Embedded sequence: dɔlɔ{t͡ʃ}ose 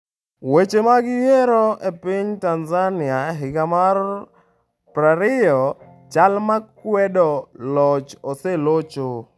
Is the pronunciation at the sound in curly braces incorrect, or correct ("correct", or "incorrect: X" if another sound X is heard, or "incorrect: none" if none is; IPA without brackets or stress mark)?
correct